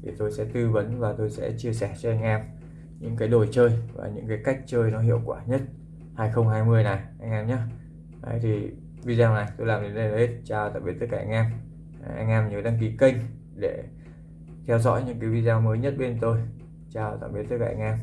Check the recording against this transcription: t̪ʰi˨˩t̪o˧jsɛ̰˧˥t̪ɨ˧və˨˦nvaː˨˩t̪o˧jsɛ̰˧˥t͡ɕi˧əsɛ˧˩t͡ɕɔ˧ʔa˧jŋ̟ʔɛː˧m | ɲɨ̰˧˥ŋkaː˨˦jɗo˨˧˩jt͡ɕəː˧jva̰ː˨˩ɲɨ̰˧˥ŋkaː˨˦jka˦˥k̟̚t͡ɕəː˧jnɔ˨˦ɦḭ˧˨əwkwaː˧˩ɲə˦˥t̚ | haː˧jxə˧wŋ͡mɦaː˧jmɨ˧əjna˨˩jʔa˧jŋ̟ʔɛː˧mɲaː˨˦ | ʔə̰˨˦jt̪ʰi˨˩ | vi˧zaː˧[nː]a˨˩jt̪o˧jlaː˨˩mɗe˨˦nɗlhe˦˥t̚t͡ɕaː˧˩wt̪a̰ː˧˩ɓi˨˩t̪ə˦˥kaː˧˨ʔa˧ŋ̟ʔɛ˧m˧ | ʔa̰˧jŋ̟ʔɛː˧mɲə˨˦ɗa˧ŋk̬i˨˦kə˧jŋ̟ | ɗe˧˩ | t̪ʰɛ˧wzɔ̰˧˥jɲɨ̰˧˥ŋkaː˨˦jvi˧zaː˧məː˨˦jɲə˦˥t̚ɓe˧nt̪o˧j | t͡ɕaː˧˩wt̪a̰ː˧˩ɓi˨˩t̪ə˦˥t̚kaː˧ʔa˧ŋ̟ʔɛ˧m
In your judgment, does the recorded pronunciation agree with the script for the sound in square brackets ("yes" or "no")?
no